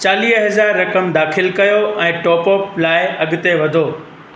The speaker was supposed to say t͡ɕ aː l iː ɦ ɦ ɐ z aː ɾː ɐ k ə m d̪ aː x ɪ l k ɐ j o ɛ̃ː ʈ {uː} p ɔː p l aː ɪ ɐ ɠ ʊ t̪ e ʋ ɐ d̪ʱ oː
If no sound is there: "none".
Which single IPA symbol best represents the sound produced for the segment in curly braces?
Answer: ɔː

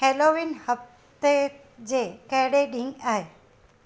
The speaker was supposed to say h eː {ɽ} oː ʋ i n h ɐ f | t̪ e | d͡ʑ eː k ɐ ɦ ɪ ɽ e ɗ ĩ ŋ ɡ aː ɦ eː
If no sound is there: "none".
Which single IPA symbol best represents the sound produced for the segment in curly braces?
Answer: l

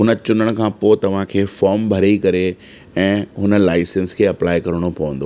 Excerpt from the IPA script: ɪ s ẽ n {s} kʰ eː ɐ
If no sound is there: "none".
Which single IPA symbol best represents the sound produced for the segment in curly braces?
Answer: s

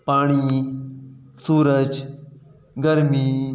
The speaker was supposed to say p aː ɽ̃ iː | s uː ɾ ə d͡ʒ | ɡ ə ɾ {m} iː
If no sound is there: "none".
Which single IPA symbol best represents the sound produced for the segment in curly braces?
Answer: m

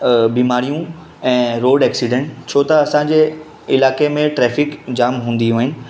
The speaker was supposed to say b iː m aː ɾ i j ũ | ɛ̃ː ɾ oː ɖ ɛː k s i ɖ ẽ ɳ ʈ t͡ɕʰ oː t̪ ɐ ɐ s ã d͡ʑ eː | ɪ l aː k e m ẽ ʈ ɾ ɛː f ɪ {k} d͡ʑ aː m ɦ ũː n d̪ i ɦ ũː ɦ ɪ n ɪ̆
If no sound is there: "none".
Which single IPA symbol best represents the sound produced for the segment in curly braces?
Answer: k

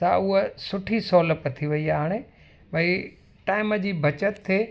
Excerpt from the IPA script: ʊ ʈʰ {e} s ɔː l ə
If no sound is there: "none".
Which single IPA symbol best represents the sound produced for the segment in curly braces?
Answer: i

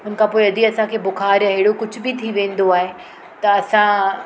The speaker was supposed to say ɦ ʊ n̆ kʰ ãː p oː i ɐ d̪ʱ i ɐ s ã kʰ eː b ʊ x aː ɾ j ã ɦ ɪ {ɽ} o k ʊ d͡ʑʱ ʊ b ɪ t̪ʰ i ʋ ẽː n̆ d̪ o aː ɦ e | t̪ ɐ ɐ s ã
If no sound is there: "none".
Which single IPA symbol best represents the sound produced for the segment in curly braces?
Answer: ɽ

